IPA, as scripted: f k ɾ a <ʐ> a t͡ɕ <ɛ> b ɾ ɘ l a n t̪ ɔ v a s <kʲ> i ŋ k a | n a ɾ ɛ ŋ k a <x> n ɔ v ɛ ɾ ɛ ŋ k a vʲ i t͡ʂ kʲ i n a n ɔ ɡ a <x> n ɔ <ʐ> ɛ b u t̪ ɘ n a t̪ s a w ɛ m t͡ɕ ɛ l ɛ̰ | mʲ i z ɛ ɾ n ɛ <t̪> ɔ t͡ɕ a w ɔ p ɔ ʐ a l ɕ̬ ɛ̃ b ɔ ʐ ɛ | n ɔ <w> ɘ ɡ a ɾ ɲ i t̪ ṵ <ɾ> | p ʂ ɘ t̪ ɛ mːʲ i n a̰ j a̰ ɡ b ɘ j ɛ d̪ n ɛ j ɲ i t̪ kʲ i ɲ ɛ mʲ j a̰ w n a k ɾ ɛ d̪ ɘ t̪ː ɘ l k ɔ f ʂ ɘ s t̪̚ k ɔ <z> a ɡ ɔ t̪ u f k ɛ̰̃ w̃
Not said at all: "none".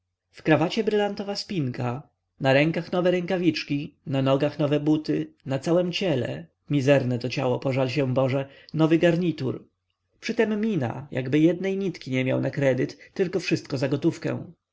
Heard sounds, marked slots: v, ɛ, pʲ, x, x, v, t̪, v, ɾ, z

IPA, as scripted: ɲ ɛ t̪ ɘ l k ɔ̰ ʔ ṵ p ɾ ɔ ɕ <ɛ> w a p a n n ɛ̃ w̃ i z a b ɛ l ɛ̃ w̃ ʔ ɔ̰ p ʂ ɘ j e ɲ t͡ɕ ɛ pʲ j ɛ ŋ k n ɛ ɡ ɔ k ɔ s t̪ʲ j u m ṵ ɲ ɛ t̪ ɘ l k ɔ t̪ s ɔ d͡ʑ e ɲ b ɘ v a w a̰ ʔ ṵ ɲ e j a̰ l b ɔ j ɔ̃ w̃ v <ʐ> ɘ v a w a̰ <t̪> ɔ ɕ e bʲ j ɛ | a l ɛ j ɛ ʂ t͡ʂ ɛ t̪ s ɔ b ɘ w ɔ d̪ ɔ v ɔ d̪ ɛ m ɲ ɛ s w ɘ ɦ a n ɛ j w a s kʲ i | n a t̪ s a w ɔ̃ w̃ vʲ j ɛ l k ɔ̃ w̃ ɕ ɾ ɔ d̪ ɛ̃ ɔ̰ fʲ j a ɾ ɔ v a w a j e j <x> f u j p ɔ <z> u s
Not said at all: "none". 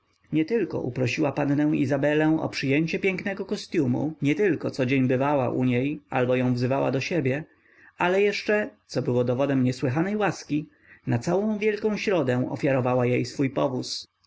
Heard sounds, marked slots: i, z, d̪, s, v

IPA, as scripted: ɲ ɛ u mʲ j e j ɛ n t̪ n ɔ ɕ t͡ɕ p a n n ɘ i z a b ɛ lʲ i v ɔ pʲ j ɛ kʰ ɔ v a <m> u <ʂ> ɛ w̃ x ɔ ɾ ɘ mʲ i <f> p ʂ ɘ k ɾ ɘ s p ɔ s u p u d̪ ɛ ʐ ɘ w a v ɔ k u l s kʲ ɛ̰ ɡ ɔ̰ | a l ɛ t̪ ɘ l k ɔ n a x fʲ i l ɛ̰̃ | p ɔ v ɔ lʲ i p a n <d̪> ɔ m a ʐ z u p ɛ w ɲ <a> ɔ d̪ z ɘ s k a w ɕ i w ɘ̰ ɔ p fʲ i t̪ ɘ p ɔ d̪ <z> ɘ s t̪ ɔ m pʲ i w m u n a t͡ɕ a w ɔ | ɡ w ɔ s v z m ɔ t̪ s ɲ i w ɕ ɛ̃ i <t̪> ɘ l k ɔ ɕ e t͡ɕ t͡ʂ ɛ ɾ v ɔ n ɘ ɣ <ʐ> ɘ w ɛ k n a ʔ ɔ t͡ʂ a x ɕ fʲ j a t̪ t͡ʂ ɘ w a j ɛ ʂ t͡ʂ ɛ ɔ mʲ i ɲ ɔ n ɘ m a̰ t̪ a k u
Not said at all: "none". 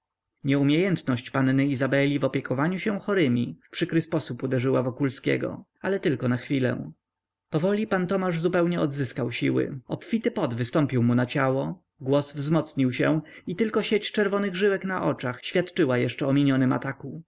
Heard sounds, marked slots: ɲ, ɕ, f, t̪, ɛ, v, t̪, ʐ

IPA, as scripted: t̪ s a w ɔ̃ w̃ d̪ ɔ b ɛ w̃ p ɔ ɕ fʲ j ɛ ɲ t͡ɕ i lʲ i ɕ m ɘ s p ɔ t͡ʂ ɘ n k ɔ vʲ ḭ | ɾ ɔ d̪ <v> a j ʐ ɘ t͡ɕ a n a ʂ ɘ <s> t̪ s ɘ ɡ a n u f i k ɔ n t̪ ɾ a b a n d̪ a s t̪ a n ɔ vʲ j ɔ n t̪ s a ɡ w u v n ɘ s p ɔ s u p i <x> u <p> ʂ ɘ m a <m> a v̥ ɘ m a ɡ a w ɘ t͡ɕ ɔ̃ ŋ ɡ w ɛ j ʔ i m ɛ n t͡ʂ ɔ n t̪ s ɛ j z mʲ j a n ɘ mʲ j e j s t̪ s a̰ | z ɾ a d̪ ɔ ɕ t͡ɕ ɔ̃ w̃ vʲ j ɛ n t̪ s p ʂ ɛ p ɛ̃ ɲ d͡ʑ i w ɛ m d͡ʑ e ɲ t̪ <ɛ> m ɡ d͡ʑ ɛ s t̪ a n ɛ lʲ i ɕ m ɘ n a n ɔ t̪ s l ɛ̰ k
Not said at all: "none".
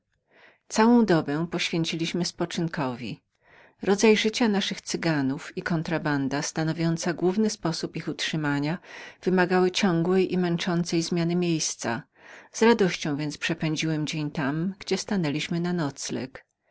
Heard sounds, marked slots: z, x, x, t, ɲ, a

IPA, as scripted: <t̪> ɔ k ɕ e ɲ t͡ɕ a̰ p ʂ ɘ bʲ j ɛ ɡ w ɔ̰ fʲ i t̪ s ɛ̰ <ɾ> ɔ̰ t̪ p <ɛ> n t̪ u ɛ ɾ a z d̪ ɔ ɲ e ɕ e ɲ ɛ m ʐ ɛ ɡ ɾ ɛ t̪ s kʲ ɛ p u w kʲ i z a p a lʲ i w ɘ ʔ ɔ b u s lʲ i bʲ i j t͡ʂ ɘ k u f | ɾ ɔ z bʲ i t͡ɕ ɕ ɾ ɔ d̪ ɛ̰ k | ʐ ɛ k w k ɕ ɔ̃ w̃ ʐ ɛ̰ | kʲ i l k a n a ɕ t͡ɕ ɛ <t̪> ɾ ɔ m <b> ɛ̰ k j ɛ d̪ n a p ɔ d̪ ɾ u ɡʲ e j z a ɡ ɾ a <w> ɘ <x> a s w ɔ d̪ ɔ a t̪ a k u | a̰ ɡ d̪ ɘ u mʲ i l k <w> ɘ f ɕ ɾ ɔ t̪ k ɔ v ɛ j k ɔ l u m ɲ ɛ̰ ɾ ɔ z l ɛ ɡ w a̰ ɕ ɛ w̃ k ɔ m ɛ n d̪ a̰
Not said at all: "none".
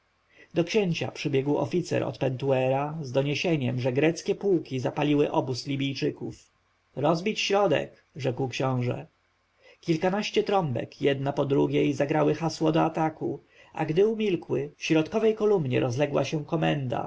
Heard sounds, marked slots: d̪, ɾ, ɛ, t̪, b, w, x, w

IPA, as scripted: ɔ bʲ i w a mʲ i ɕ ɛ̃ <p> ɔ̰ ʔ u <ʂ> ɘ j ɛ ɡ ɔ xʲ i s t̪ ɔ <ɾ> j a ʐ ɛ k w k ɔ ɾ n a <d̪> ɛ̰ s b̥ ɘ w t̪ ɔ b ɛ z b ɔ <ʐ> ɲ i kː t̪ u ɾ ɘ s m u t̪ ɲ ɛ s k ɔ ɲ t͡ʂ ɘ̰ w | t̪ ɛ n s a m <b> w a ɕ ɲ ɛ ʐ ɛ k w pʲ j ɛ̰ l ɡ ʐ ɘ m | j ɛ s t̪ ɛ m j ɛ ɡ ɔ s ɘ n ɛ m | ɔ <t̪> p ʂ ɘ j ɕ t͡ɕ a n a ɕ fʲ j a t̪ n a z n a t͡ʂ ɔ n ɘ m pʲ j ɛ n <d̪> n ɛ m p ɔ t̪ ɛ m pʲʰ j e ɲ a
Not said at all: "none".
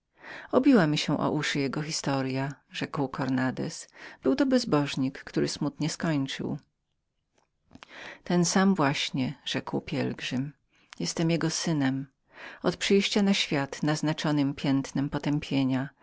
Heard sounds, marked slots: ʔ, ʂ, ɾ, d̪, ʐ, v, t̪, t̪

